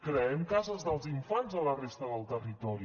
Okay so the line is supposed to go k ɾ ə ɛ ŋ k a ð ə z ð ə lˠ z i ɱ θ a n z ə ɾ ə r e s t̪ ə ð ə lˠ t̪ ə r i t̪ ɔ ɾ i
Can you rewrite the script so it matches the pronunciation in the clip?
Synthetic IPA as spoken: k ɾ ə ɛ m k a z ə z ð ə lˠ z i ɱ f a n z ə l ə r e s t̪ ə ð ə lˠ t̪ ə r i t̪ ɔ ɾ i

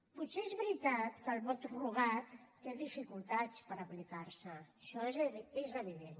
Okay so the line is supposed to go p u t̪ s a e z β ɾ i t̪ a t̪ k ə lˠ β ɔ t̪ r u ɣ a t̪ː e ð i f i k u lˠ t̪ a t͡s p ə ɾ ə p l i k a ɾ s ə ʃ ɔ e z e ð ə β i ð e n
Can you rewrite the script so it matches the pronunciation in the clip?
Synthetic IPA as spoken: p u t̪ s e e z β ɾ i t̪ a t̪ k ə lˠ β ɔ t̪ r u ɣ a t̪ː e ð i f i k u lˠ t̪ a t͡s p ə ɾ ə p l i k a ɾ s ə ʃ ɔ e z e z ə β i ð e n

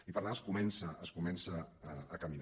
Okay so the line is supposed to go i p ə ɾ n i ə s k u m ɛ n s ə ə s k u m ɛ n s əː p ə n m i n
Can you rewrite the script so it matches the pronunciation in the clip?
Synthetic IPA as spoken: i p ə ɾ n a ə s k u m ɛ n s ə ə s k u m ɛ n s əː k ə m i n

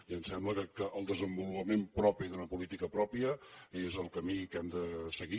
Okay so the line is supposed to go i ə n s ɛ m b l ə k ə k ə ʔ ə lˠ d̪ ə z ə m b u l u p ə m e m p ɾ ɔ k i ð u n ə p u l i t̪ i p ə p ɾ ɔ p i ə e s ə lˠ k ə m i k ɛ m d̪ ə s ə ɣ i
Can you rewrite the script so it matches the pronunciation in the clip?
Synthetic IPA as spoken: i ə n s ɛ m b l ə k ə k ə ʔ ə lˠ d̪ ə z ə m b u l u p ə m e m p ɾ ɔ p i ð u n ə p u l i t̪ i k ə p ɾ ɔ p i ə e z ə lˠ k ə m i k ɛ m d̪ ə s ə ɣ i

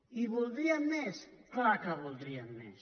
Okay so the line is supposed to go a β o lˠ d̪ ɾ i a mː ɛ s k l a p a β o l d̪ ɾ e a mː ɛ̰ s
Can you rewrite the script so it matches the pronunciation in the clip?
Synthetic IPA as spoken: i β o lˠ d̪ ɾ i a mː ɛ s k l a k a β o l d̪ ɾ i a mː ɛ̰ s

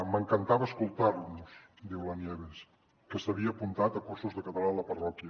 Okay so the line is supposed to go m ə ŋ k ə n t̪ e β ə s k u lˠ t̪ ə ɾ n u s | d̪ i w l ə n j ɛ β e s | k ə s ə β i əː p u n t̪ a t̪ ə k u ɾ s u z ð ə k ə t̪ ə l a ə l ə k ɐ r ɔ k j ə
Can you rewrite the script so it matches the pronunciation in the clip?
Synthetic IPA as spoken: m ə ŋ k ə n t̪ a β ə s k u lˠ t̪ a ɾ n u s | d̪ i w l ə n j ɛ β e s | k ə s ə β i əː p u n t̪ a t̪ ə k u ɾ s u z ð ə k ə t̪ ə l a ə l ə p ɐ r ɔ k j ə

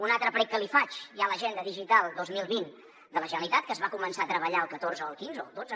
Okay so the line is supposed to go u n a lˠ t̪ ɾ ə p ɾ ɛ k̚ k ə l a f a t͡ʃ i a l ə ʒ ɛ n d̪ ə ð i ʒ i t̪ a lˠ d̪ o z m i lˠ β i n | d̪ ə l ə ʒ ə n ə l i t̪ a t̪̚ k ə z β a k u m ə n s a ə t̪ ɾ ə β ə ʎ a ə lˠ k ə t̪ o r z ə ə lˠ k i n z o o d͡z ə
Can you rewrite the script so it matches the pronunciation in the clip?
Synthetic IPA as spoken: u n a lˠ t̪ ɾ ə p ɾ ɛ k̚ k ə l i f a t͡ʃ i a l ə ʒ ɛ n d̪ ə ð i ʒ i t̪ a lˠ d̪ o z m i lˠ β i n | d̪ ə l ə ʒ ə n ə l i t̪ a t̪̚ k ə z β a k u m ə n s a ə t̪ ɾ ə β ə ʎ a ə lˠ k ə t̪ o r z ə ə lˠ k i n z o o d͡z ə

